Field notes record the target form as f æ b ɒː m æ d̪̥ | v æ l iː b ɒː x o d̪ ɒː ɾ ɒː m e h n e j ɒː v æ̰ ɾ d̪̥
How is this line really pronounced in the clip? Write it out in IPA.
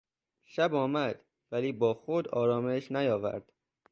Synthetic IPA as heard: ʃ æ b ɒː m æ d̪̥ | v æ l iː b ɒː x o d̪ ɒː ɾ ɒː m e ʃ n æ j ɒː v æ̰ ɾ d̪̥